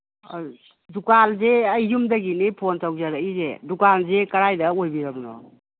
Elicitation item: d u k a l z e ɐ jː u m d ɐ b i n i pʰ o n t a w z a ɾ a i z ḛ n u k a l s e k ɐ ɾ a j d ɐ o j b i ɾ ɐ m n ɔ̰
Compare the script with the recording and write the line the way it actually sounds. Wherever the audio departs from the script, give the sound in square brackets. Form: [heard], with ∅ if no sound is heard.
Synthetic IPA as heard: d u k a l z e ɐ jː u m d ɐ [ɡ] i n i pʰ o n t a w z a ɾ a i z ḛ [d] u k a l [z] e k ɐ ɾ a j d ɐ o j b i ɾ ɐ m n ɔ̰

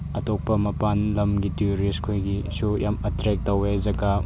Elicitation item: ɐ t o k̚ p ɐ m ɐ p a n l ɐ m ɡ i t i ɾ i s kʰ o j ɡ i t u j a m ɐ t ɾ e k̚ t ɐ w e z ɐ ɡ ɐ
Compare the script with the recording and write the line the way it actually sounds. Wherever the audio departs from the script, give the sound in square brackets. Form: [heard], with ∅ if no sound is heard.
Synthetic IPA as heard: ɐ t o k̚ p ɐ m ɐ p a n l ɐ m ɡ i t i ɾ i s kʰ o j ɡ i [s] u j a m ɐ t ɾ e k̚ t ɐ w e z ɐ ɡ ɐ

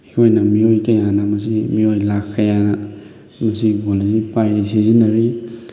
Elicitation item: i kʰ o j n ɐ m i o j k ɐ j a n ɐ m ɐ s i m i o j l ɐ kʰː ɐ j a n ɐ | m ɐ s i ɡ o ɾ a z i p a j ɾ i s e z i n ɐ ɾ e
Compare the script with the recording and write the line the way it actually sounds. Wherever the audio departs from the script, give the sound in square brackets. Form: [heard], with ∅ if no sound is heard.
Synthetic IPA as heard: i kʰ o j n ɐ m i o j k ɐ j a n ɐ m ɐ s i m i o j l [a] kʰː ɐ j a n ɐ | m ɐ s i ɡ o [l] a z i p a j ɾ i s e z i n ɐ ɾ [i]

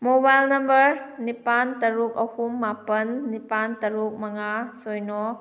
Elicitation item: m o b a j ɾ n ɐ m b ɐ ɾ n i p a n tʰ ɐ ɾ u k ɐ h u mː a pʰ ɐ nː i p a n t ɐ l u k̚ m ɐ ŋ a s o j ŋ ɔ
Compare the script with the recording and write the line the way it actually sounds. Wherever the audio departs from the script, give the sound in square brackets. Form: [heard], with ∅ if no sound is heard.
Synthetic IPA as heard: m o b a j [l] n ɐ m b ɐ ɾ n i p a n [t] ɐ ɾ u k ɐ h u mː a [p] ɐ nː i p a n t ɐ [ɾ] u k̚ m ɐ ŋ a s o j [n] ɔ

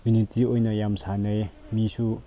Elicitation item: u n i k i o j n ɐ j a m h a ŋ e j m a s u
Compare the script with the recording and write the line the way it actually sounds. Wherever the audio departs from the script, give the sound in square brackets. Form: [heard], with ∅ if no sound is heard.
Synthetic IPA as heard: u n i [t] i o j n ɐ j a m [s] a [n] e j m [i] s u

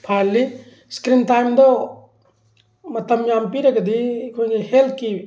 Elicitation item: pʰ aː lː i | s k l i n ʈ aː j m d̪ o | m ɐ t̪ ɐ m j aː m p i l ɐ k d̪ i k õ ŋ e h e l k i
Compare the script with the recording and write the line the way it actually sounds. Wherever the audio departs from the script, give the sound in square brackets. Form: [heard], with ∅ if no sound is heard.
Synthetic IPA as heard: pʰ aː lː i | s k [ɾ] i n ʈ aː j m d̪ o | m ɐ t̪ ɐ m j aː m p i [ɾ] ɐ k d̪ i k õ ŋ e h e l k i

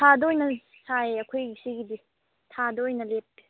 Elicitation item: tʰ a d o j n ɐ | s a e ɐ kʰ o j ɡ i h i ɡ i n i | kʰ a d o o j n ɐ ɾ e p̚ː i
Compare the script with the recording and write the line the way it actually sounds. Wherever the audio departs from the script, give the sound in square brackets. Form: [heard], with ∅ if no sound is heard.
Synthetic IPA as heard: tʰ a d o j n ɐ | s a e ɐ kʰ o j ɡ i [s] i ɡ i [d] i | [tʰ] a d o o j n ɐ [l] e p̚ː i

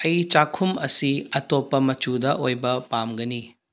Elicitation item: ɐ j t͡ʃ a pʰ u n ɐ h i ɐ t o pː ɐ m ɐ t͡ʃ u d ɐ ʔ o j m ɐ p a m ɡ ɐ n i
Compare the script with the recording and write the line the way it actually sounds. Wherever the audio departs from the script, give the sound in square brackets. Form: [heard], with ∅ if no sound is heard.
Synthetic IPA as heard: ɐ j t͡ʃ a [kʰ] u [m] ɐ [s] i ɐ t o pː ɐ m ɐ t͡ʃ u d ɐ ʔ o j [b] ɐ p a m ɡ ɐ n i

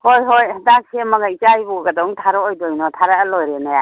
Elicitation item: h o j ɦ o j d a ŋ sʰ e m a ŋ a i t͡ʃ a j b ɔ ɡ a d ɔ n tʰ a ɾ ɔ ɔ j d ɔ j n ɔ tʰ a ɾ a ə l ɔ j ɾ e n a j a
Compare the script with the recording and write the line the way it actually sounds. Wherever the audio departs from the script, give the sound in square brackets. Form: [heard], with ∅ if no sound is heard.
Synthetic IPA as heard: h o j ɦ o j d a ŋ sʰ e m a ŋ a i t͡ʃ a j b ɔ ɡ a d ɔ [ŋ] tʰ a ɾ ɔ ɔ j d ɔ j n ɔ tʰ a ɾ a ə l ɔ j ɾ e n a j a

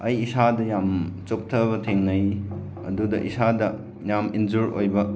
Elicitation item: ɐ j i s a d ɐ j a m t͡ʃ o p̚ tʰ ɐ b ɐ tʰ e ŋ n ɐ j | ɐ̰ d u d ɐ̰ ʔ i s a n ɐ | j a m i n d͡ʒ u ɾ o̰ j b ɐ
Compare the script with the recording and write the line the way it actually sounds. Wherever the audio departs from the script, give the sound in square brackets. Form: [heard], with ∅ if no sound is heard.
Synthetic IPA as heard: ɐ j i s a d ɐ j a m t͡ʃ o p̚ tʰ ɐ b ɐ tʰ e ŋ n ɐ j | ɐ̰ d u d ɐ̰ ʔ i s a [d] ɐ | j a m i n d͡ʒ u ɾ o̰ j b ɐ

